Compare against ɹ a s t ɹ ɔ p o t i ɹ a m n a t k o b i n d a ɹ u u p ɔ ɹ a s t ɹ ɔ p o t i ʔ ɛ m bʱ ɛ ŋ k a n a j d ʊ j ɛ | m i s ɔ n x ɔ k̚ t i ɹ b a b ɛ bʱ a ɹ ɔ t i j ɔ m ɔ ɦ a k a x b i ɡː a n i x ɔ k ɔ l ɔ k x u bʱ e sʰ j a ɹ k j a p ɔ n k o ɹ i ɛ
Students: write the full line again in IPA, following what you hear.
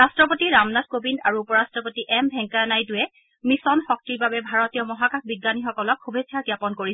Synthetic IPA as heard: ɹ a s t ɹ ɔ p o t i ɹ a m n a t k o b i n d a ɹ u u p ɔ ɹ a s t ɹ ɔ p o t i ʔ ɛ m bʱ ɛ ŋ k a n a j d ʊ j ɛ | m i s ɔ n x ɔ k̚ t i ɹ b a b ɛ bʱ a ɹ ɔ t i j ɔ m ɔ ɦ a k a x b i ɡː a n i x ɔ k ɔ l ɔ k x u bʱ e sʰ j a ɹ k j a p ɔ n k o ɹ i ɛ